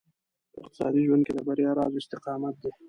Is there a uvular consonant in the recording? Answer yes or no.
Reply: yes